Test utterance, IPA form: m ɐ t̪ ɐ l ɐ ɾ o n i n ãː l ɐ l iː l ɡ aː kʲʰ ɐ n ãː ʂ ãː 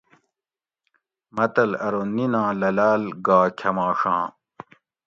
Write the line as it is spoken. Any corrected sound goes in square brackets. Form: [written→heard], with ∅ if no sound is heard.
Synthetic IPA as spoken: m ɐ t̪ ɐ l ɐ ɾ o n i n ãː l ɐ l [iː→aː] l ɡ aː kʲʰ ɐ [n→m] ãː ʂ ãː